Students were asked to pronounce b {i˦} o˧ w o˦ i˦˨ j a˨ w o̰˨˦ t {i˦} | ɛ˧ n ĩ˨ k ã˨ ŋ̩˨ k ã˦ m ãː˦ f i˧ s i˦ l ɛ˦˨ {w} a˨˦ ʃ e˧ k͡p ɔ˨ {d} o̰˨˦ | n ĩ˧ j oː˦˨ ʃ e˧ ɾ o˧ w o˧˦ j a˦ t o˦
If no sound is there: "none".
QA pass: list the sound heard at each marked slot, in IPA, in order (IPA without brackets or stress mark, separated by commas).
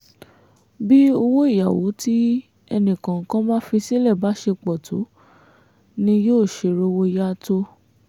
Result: i˦, i˦, b, t